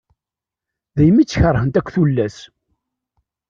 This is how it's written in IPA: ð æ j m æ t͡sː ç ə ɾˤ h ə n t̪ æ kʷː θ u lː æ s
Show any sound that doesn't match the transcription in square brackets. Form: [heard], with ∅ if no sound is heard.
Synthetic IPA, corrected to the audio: ð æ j m [i] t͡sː ç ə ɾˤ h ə n t̪ æ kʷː θ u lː æ s